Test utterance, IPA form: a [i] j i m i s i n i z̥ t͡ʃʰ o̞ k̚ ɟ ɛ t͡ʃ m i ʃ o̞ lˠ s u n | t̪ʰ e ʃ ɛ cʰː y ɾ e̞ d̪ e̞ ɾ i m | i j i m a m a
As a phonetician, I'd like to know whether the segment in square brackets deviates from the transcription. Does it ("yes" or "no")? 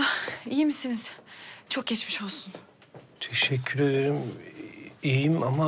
no